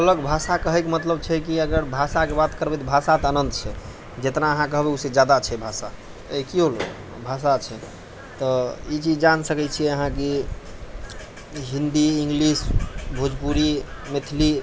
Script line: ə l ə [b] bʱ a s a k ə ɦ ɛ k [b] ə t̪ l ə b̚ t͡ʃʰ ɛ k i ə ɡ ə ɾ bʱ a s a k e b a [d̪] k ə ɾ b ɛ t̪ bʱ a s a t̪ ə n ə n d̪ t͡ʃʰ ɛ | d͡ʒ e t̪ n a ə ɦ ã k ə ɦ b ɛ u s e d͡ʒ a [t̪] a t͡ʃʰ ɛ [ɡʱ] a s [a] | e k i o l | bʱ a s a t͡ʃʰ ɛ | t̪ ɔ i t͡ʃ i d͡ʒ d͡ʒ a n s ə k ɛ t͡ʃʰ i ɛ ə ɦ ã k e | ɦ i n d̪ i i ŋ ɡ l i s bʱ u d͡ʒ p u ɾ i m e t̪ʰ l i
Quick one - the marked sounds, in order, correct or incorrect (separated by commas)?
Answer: incorrect, incorrect, incorrect, incorrect, incorrect, correct